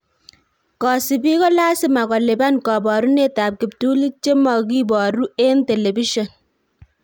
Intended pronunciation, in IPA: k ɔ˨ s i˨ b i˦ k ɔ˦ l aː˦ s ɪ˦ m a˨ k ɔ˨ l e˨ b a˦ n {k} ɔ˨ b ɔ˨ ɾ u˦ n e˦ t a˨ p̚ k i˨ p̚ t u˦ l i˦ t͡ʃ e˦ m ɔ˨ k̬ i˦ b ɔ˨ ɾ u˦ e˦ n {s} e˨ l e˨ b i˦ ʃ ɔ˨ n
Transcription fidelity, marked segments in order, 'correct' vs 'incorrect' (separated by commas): correct, incorrect